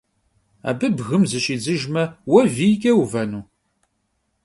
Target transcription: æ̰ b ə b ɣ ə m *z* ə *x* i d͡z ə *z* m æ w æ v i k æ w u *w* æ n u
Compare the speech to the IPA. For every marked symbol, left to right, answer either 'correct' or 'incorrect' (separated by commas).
correct, incorrect, incorrect, incorrect